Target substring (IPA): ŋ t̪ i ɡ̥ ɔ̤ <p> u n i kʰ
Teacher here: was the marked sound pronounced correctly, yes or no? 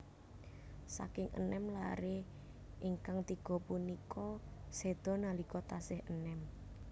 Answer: yes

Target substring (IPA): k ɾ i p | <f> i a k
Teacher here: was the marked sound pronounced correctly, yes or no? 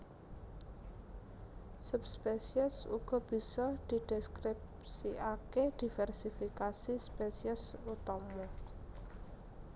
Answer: no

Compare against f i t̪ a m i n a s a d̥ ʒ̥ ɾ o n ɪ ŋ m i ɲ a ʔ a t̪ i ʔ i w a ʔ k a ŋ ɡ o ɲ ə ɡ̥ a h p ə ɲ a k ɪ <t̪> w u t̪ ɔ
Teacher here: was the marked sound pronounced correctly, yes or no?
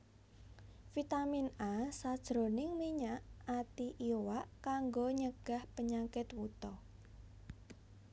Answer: yes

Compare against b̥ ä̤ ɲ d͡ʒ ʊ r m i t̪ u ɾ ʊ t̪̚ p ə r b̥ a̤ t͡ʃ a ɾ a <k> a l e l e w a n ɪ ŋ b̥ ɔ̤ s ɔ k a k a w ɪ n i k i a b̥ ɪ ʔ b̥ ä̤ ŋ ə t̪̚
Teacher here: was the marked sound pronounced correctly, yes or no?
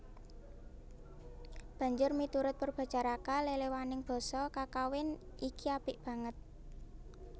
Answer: yes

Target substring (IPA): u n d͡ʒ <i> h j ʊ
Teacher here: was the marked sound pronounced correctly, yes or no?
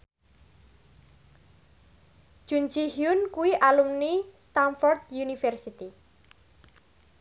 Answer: yes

